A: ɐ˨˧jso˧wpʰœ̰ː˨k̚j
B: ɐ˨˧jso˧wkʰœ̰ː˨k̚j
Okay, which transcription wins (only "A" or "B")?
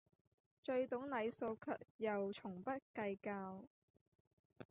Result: B